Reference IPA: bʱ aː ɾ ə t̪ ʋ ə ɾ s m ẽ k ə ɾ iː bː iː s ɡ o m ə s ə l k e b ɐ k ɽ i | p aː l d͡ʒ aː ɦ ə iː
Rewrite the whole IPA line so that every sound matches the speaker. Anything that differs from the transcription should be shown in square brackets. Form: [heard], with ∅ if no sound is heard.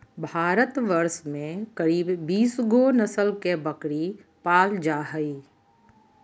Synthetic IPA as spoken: bʱ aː ɾ ə t̪ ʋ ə ɾ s m ẽ k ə ɾ iː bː iː s ɡ o [n] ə s ə l k e b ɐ k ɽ i | p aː l d͡ʒ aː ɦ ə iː